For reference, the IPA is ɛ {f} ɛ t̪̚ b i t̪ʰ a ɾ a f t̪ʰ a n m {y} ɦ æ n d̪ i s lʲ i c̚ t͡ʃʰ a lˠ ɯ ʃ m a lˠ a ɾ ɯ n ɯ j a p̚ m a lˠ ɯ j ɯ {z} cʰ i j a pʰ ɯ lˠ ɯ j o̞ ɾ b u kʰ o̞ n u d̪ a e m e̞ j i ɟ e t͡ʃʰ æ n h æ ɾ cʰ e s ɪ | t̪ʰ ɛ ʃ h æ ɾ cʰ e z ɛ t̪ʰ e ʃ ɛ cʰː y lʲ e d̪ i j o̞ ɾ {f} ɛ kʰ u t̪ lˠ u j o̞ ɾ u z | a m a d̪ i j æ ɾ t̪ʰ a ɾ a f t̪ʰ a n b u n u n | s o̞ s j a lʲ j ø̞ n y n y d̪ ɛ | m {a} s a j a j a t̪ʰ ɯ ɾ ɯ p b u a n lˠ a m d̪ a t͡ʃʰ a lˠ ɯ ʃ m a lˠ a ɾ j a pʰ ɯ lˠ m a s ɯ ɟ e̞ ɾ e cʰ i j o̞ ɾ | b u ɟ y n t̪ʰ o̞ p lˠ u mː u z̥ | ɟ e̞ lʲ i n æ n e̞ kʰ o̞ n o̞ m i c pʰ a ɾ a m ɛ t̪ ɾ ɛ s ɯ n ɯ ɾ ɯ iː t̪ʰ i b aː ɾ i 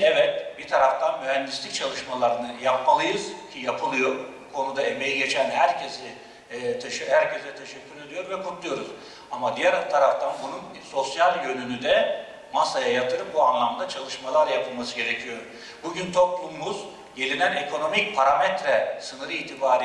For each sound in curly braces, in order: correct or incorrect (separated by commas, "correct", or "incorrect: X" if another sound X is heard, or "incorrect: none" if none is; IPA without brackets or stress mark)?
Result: incorrect: v, correct, correct, incorrect: v, correct